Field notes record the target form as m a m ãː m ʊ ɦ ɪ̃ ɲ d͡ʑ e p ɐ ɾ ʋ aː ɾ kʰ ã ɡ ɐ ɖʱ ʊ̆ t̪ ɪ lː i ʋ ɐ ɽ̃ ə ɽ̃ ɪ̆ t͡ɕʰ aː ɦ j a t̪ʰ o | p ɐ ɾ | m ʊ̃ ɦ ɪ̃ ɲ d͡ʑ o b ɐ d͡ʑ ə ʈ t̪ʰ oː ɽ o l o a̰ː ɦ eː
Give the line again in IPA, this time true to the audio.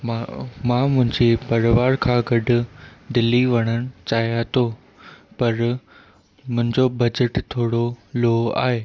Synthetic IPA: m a m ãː m ʊ̃ ɦ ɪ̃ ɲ d͡ʑ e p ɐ ɾ ʋ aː ɾ kʰ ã ɡ ɐ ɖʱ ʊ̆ d̪ ɪ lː i ʋ ɐ ɽ̃ ə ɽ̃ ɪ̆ t͡ɕ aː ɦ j a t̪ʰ o | p ɐ ɾ | m ʊ̃ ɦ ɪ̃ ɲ d͡ʑ o b ɐ d͡ʑ ə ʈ t̪ʰ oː ɽ o l o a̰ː ɦ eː